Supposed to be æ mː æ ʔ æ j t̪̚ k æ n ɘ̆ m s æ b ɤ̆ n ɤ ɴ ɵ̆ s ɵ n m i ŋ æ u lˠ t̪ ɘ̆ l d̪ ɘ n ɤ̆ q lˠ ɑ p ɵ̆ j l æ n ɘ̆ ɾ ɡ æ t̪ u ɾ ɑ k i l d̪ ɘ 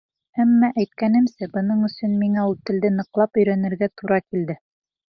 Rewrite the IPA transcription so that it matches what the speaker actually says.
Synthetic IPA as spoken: æ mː æ ʔ æ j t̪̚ k æ n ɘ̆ m s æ b ɤ̆ n ɤ ɴ ɵ̆ s ɵ n m i ŋ æ u lˠ t̪ ɘ̆ l d̪ ɘ n ɤ̆ q lˠ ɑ p ɵ̆ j ɾ æ n ɘ̆ ɾ ɡ æ t̪ u ɾ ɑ k i l d̪ ɘ